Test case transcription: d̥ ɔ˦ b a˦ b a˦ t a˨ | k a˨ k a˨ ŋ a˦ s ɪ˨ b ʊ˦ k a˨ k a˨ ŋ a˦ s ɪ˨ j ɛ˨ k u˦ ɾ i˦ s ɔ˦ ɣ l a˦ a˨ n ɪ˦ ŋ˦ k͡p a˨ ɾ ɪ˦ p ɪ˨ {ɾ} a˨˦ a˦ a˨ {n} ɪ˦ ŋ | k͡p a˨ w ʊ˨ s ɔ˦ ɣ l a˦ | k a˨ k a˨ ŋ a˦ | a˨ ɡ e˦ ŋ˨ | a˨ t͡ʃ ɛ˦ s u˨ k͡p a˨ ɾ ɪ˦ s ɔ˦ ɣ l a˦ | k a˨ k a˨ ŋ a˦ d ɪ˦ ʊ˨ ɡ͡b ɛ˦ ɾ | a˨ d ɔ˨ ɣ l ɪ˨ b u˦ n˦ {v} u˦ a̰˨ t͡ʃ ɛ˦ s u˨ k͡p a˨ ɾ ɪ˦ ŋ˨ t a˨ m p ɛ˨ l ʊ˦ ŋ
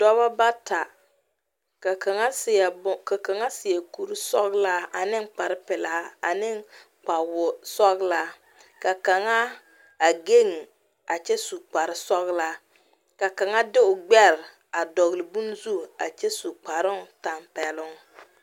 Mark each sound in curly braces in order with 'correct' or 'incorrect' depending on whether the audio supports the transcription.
incorrect, correct, incorrect

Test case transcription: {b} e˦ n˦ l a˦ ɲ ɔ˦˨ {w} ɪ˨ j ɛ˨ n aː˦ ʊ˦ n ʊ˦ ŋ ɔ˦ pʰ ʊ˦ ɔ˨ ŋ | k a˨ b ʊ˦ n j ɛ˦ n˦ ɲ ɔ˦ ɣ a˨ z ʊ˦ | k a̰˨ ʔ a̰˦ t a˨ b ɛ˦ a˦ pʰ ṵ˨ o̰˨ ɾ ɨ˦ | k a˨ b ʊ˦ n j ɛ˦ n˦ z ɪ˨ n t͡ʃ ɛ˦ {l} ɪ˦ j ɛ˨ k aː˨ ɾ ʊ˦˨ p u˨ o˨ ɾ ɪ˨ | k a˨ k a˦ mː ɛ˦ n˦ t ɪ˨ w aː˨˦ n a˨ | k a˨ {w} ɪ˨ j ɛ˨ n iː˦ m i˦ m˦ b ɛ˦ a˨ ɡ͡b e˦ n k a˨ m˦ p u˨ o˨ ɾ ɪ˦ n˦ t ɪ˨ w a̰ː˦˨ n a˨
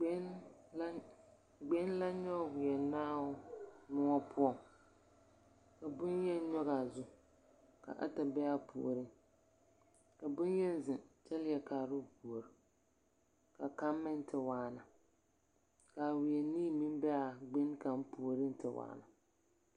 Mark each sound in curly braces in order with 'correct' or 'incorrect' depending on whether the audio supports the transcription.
incorrect, correct, correct, correct

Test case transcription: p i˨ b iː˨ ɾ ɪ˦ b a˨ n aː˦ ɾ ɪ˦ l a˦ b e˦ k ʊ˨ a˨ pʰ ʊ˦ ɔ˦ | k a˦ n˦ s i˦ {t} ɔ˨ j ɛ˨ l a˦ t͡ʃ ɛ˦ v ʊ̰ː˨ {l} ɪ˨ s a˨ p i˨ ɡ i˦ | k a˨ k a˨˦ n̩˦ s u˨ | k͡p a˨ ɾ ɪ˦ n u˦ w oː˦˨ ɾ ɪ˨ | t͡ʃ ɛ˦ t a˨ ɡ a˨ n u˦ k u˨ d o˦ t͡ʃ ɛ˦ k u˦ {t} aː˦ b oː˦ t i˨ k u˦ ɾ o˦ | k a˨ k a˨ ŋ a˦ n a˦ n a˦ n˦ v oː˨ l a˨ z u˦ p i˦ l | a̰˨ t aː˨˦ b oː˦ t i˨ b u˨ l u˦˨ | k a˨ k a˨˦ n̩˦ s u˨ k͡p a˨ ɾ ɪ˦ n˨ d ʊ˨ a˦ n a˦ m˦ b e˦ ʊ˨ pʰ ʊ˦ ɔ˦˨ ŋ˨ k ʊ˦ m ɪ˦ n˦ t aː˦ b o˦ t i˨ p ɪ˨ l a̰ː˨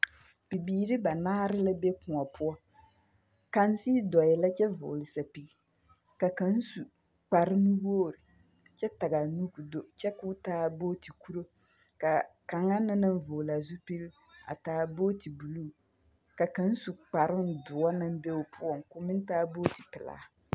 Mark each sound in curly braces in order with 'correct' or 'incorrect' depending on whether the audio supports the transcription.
incorrect, correct, correct

